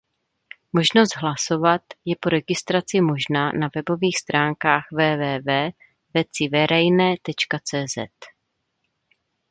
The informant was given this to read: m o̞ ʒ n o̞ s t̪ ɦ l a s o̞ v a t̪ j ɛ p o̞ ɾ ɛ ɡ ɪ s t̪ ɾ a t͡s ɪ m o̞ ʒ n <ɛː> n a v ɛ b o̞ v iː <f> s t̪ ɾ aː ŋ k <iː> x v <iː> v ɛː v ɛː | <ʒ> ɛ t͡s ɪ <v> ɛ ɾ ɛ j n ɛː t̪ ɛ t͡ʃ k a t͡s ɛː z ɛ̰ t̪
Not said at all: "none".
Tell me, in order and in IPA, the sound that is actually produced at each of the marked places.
aː, x, aː, ɛː, v, v

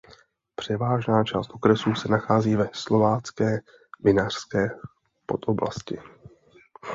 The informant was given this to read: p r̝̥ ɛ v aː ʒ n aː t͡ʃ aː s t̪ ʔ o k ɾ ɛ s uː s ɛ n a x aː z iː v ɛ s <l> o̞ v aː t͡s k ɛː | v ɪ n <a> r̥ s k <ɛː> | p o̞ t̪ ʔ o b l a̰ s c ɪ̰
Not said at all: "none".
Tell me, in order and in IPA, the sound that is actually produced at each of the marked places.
l, a, ɛː

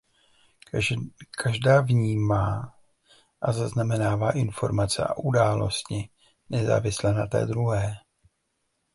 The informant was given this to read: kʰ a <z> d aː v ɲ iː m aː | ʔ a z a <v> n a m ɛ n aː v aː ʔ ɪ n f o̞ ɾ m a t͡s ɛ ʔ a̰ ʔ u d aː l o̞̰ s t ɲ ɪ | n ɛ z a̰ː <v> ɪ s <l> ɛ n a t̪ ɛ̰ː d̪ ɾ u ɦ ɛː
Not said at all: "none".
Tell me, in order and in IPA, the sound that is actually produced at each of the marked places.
ʒ, z, v, l

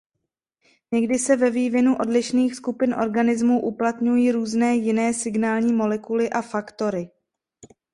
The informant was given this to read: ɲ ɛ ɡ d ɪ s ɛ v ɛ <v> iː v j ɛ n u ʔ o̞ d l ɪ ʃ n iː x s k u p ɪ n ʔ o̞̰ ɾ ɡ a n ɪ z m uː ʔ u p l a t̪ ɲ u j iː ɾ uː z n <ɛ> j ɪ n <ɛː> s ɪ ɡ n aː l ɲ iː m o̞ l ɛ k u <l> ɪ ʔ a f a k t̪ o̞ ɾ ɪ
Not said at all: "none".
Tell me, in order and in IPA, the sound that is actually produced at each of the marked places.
v, ɛː, ɛː, l

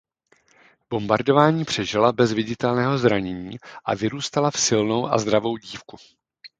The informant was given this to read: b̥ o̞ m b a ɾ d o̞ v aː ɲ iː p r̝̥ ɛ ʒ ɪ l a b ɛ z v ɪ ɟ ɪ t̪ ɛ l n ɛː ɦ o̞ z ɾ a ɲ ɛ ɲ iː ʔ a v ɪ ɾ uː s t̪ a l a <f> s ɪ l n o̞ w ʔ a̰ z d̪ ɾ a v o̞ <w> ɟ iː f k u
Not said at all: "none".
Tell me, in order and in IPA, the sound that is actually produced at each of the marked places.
f, w

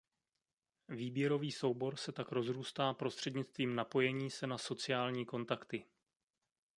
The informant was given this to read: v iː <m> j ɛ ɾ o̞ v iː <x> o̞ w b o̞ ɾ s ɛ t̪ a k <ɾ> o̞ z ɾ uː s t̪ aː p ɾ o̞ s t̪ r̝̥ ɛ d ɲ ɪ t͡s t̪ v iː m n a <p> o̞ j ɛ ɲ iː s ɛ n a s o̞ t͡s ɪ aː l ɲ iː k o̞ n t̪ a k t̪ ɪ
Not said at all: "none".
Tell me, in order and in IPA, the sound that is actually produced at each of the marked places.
b, s, ɾ, p

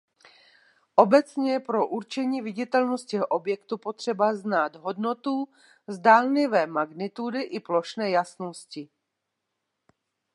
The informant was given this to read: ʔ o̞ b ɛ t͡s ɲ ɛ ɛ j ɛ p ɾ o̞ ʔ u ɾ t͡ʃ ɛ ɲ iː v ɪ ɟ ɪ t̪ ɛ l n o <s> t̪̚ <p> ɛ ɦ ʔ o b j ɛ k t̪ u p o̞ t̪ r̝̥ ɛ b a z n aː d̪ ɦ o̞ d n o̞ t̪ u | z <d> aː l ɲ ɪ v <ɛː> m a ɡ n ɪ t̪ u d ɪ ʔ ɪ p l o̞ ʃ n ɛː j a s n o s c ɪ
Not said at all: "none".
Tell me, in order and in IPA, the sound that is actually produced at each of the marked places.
s, c, d, ɛː

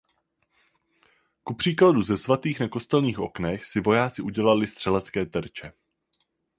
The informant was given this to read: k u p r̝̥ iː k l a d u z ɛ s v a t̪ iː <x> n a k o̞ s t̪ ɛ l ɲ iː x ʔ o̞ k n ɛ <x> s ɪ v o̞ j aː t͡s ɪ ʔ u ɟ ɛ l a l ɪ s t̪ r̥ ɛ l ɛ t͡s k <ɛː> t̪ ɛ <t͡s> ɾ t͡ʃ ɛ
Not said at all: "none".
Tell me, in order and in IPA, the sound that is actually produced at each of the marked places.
x, x, ɛː, none

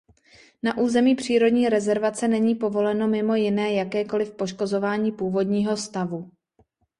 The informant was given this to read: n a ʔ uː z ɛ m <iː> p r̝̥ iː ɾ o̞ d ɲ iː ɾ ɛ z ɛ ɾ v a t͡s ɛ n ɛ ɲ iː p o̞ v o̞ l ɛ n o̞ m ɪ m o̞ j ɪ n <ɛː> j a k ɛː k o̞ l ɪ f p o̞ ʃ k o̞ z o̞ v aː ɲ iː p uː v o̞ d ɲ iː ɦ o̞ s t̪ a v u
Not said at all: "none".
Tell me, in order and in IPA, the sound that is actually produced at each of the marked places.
iː, ɛː

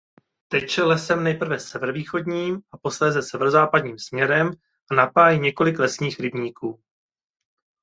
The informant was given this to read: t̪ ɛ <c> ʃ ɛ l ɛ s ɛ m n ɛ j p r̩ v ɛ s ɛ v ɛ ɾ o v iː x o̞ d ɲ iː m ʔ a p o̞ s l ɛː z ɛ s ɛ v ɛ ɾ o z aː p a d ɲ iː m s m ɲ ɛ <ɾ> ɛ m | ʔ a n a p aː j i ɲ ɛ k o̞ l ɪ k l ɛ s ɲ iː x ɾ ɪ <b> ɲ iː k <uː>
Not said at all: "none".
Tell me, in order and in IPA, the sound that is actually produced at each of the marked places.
c, ɾ, b, uː

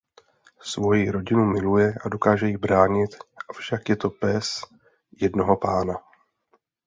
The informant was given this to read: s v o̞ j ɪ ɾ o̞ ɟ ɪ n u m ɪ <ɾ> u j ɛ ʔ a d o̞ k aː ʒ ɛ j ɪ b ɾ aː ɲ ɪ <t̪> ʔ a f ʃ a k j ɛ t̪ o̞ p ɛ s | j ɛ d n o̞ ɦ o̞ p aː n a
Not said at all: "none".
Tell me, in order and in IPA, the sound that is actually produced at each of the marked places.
l, t̪

